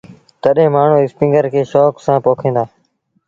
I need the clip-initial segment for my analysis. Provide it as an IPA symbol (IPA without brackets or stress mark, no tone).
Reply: t̪